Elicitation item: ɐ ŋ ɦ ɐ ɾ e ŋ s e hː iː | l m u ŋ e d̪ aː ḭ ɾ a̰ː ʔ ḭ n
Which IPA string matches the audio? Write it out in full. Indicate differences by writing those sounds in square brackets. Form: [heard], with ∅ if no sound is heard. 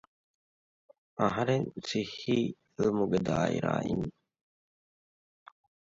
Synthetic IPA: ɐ [∅] ɦ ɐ ɾ e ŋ s [i] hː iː | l m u [ɡ] e d̪ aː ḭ ɾ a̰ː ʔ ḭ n